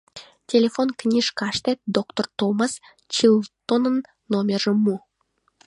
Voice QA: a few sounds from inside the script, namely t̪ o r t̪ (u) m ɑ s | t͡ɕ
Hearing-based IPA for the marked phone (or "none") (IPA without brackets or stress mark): o